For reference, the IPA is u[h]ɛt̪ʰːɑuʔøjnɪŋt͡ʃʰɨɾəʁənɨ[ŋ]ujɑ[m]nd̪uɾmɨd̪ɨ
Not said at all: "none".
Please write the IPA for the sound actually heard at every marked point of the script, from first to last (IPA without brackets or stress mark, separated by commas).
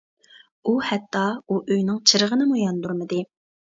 h, m, none